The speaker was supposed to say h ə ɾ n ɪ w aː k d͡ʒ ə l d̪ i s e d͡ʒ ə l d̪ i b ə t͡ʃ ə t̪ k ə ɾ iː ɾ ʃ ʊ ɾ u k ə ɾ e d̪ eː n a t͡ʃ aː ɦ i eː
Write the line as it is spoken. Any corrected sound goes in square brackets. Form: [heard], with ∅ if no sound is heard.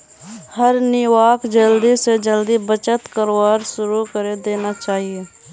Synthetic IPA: h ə ɾ n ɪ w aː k d͡ʒ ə l d̪ i s e d͡ʒ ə l d̪ i b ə t͡ʃ ə t̪ k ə ɾ [aː] ɾ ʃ ʊ ɾ u k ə ɾ e d̪ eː n a t͡ʃ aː ɦ i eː

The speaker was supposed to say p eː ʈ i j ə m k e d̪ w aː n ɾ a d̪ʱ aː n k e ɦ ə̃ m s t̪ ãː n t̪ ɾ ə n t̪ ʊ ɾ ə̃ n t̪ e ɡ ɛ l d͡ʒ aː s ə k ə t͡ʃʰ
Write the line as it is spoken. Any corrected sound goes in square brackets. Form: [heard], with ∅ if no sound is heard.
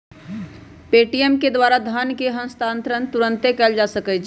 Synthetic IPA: p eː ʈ i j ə m k e d̪ w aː [∅] ɾ a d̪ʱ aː n k e ɦ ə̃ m s t̪ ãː n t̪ ɾ ə n t̪ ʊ ɾ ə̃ n t̪ e [k] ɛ l d͡ʒ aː s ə k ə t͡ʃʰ

